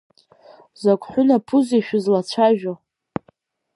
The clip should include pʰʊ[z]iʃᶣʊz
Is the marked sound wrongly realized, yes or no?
no